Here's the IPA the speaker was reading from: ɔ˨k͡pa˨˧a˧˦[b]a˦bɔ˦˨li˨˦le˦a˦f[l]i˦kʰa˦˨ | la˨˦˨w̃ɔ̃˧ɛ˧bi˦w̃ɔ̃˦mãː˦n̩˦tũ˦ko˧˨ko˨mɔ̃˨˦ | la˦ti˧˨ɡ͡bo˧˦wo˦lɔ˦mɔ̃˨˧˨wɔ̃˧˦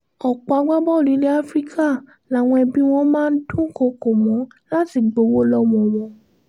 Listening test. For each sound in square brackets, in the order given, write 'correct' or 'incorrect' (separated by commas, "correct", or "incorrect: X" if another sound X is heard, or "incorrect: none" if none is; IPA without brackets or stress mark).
incorrect: ɡ͡b, incorrect: ɾ